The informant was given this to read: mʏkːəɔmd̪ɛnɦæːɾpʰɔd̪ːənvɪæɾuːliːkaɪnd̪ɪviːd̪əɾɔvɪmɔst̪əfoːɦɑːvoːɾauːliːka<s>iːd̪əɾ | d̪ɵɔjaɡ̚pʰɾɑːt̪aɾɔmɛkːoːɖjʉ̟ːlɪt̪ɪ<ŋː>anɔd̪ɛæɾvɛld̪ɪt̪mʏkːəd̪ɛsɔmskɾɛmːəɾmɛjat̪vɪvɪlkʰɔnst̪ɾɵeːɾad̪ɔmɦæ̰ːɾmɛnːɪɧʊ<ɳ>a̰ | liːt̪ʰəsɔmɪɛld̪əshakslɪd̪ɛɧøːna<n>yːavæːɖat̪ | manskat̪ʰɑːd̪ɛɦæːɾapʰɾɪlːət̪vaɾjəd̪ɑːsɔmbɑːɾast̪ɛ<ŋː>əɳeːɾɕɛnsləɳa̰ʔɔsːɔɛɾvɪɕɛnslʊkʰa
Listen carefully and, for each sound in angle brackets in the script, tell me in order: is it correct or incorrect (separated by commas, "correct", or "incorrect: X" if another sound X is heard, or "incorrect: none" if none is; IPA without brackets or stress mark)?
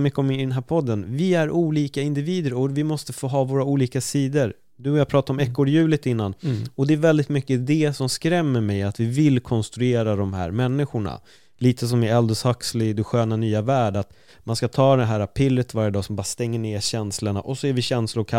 correct, incorrect: nː, correct, correct, correct